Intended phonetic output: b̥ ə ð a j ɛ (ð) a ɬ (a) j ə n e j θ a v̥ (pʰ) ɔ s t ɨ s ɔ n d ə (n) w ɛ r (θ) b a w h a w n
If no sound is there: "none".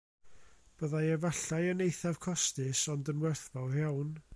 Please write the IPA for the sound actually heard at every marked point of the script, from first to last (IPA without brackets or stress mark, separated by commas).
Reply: v, a, kʰ, n, θ